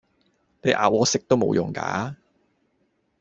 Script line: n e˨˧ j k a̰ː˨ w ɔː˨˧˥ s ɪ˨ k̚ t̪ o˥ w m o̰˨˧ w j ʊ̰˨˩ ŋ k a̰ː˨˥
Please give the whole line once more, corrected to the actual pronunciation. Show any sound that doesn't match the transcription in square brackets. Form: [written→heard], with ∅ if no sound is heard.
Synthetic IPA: n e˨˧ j [k→ʔ] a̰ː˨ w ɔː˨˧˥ s [ɪ˨→ɪ˥] k̚ t̪ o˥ w m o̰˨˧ w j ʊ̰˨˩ ŋ k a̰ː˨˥